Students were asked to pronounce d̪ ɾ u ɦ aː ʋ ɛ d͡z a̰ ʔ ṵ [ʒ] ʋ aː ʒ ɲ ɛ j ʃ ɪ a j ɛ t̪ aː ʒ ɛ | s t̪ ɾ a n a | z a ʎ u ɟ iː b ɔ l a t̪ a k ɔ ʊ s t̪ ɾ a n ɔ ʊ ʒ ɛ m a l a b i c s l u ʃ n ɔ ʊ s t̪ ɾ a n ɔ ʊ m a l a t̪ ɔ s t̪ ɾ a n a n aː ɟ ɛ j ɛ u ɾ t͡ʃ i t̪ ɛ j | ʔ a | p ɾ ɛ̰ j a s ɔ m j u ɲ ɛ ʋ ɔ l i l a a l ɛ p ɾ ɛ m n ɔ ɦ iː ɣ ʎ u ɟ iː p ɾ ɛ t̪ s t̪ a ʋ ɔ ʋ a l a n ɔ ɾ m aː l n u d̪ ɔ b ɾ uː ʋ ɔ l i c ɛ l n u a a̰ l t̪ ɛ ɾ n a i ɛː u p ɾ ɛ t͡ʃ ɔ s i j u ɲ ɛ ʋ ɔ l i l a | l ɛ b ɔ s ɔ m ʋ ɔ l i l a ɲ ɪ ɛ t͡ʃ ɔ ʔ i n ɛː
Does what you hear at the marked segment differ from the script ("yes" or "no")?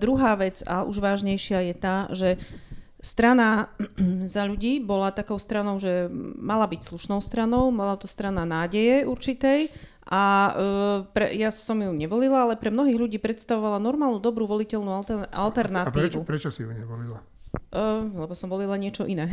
no